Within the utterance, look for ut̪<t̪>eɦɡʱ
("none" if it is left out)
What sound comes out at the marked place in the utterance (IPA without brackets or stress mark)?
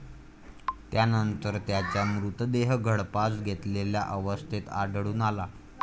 d̪